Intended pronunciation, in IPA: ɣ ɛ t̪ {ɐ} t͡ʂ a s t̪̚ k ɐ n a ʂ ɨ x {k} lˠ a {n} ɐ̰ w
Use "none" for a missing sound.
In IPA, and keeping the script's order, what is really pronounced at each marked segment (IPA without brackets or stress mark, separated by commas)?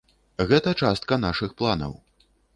ɐ, p, n